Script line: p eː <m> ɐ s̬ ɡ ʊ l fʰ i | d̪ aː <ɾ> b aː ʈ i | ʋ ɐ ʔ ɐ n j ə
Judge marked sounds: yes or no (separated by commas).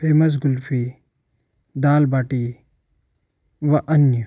yes, no